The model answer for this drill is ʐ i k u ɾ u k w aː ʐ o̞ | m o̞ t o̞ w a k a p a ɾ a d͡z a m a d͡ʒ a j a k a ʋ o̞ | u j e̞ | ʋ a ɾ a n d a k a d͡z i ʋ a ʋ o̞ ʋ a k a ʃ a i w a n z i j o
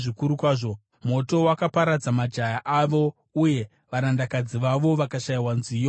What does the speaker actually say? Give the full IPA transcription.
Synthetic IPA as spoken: ʐ i k u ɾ u k w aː ʐ o̞ | m o̞ t o̞ w a k a p a ɾ a d͡z a m a d͡ʒ a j a ʔ a ʋ o̞ | u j e̞ | ʋ a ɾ a n d a k a d͡z i ʋ a ʋ o̞ ʋ a k a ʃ a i w a n z i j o